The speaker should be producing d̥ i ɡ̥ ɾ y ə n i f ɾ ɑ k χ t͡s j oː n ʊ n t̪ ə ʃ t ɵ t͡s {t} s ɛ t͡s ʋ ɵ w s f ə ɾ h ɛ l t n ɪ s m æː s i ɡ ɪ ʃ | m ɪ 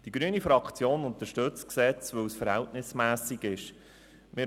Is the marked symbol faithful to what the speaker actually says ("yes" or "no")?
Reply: no